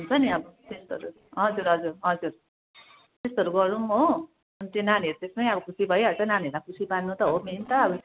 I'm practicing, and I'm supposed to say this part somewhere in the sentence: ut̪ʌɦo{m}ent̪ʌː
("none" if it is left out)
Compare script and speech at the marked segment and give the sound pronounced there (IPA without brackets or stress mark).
m